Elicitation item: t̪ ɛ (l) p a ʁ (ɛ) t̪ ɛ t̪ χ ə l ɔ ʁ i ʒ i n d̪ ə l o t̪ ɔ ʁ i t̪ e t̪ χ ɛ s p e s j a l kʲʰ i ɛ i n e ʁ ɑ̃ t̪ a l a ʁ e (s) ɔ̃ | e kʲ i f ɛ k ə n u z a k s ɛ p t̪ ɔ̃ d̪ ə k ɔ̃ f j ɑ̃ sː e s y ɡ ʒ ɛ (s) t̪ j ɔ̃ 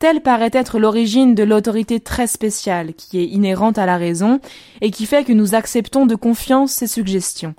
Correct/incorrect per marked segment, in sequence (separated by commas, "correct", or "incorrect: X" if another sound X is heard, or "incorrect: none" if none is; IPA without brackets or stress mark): correct, correct, incorrect: z, correct